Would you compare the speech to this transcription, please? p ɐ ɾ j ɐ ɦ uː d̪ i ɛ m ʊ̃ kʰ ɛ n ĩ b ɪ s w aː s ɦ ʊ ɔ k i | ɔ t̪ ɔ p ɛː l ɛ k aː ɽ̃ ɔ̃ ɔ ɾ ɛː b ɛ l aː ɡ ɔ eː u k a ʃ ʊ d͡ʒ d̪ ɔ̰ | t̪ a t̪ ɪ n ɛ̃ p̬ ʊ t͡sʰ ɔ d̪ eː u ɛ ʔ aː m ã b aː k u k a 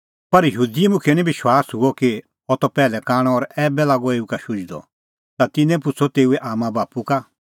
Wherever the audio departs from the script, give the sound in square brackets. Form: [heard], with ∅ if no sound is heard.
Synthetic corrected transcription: p ɐ ɾ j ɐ ɦ uː d̪ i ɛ m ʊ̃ kʰ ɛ n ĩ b ɪ [ʃ] w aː s ɦ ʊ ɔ k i | ɔ t̪ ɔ p ɛː l ɛ k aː ɽ̃ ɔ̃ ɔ ɾ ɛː b ɛ l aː ɡ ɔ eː u k a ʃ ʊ d͡ʒ d̪ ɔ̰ | t̪ a t̪ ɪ n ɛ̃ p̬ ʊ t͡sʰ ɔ [t̪] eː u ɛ ʔ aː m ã b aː [p] u k a